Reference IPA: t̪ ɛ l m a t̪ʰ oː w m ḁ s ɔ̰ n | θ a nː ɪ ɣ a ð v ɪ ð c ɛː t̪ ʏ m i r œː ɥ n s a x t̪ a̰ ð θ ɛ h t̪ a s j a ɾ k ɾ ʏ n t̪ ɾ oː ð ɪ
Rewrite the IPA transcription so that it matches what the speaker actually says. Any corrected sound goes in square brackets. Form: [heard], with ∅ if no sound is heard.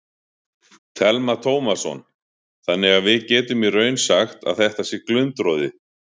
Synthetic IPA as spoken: [t̪ʰ] ɛ l m a t̪ʰ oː w m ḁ s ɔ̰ n | θ a nː ɪ ɣ a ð v ɪ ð c ɛː t̪ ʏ m i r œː ɥ n s a x t̪ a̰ ð θ ɛ h t̪ a s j [ɛ] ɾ k [l] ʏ n t̪ ɾ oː ð ɪ